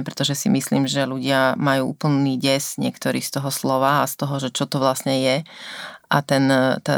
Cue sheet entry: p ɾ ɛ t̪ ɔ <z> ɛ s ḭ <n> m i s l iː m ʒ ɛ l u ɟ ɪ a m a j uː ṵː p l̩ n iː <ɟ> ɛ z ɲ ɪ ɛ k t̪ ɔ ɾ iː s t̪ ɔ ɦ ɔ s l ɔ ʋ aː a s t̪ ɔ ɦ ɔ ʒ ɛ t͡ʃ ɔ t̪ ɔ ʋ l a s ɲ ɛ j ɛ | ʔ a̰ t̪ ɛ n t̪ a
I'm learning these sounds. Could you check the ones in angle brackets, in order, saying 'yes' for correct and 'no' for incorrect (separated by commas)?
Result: no, no, yes